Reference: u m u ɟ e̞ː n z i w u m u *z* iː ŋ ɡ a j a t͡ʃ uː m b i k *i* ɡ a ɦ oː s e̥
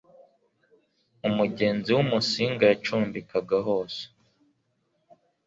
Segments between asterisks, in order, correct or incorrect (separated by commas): incorrect, incorrect